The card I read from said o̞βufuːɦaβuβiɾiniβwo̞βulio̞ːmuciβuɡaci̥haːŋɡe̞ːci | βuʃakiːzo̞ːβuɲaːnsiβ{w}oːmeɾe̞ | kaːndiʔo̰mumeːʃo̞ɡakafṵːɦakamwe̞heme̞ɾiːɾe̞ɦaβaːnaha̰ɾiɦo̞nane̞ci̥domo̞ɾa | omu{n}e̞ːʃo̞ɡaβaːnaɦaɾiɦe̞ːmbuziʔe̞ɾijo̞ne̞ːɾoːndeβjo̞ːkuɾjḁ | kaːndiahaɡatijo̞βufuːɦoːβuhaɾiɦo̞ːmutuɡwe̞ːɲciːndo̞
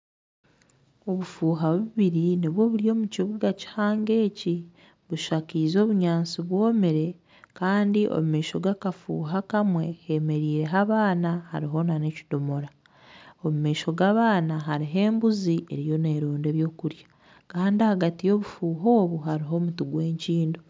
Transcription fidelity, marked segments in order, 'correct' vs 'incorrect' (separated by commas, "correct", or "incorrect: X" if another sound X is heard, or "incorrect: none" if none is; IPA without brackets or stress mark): correct, incorrect: m